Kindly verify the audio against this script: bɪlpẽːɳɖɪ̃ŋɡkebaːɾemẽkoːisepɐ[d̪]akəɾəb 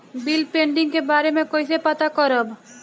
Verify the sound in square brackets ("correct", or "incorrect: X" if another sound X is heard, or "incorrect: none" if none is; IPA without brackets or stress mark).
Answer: incorrect: t̪